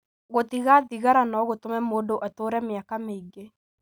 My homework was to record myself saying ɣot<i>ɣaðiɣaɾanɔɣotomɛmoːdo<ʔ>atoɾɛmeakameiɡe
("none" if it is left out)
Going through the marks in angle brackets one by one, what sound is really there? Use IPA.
i, ʔ

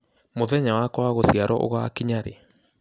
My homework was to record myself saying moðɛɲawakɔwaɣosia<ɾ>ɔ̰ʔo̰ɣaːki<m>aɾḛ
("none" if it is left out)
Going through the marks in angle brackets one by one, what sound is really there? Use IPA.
ɾ, ɲ

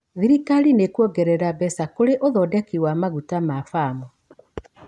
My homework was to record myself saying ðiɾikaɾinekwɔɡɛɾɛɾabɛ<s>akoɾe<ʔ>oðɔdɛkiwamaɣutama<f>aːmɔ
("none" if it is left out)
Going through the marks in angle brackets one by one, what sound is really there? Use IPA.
s, ʔ, f

